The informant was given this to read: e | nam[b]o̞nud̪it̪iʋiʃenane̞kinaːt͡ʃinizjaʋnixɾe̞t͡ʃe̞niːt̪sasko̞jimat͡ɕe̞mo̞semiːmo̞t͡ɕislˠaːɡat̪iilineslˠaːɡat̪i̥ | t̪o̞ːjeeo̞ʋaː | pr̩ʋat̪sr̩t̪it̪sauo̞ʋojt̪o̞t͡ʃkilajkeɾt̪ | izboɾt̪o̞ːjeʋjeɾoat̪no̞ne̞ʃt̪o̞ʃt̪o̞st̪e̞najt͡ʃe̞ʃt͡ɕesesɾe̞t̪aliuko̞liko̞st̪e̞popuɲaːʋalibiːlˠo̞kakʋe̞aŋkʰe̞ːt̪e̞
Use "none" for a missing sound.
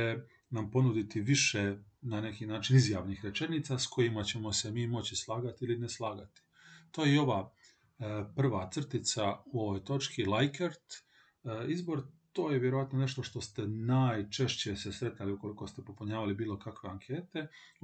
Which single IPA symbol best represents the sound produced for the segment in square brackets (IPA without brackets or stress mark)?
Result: p